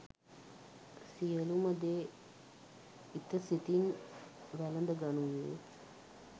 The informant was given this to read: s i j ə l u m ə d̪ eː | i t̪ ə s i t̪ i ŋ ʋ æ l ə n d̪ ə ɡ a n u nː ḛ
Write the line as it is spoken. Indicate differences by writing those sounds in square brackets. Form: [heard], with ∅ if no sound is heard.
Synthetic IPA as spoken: s i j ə l u m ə d̪ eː | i t̪ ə s i t̪ i [n] ʋ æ l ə n d̪ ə ɡ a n u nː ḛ